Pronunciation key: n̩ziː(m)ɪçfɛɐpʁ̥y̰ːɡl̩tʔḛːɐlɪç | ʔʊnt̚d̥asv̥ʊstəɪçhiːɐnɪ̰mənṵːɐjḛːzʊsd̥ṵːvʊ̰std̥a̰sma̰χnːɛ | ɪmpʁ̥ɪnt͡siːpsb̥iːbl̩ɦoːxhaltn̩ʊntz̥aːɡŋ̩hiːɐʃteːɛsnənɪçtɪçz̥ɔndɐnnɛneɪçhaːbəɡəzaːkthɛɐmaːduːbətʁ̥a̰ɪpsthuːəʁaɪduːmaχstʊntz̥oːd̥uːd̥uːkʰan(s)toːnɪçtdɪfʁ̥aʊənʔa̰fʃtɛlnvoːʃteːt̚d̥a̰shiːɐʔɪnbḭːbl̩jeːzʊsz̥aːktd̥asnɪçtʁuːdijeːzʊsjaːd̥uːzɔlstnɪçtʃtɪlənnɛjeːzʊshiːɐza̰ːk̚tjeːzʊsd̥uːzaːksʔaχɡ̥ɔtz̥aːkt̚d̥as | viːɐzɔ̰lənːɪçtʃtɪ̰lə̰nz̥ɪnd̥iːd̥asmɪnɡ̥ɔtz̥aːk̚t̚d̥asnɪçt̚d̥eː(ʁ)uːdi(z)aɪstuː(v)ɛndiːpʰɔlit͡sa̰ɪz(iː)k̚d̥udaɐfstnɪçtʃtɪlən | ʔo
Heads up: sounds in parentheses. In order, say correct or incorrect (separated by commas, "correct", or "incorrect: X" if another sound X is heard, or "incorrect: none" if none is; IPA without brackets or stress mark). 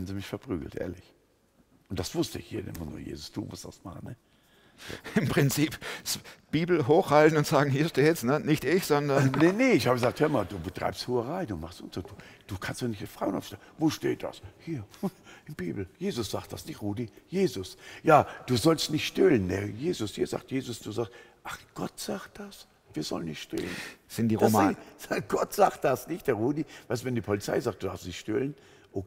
correct, correct, correct, incorrect: v, correct, incorrect: aː